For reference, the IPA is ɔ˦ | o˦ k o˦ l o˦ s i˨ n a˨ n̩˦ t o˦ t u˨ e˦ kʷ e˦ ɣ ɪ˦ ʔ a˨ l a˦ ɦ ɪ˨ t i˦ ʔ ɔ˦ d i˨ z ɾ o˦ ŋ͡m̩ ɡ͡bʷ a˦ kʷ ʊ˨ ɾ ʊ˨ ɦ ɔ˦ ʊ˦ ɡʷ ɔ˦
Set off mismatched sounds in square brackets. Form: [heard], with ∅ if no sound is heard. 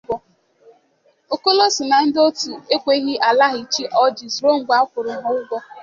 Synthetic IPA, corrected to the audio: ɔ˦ | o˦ k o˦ l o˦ s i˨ n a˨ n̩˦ [d] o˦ t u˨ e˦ kʷ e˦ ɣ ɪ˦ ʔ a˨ l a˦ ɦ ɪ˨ [t͡ʃ] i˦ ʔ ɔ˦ [d͡ʒ] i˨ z ɾ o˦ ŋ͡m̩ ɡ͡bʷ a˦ kʷ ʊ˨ ɾ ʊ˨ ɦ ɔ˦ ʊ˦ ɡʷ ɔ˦